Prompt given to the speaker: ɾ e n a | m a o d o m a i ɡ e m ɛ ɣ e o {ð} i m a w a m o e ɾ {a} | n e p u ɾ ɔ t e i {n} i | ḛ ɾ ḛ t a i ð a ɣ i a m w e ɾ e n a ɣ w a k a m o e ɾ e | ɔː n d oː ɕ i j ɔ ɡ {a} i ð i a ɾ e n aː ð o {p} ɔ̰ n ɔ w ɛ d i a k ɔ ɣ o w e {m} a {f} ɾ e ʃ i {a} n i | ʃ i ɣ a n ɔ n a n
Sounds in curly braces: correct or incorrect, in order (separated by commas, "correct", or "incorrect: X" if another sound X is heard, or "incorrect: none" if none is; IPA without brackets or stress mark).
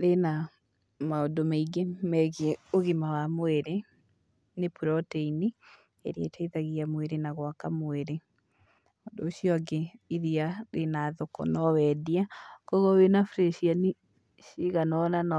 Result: incorrect: ɣ, incorrect: e, correct, incorrect: e, incorrect: k, incorrect: n, correct, correct